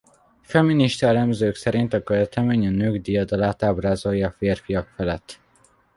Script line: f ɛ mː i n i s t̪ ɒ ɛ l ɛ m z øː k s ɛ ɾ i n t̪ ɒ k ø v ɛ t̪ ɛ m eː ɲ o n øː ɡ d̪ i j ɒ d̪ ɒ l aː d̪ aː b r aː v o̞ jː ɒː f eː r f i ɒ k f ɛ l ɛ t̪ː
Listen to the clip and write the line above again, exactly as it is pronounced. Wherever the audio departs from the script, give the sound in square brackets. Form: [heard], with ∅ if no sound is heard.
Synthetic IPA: f ɛ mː i n i [ʃ] t̪ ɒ ɛ l ɛ m z øː k s ɛ ɾ i n t̪ ɒ k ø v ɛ t̪ ɛ m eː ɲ [ɒ] n øː ɡ d̪ i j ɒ d̪ ɒ l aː [t̪] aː b r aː [z] o̞ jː ɒː f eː r f i ɒ k f ɛ l ɛ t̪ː